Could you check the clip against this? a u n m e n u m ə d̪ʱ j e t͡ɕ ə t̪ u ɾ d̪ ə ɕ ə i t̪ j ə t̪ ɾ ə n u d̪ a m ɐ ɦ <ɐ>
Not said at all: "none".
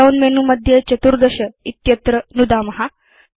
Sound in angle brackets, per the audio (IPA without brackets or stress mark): a